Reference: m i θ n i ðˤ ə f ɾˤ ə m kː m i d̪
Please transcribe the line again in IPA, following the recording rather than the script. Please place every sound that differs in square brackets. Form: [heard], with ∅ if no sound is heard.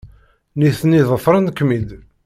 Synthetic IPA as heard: [n] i θ n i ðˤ ə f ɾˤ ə [n] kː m i d̪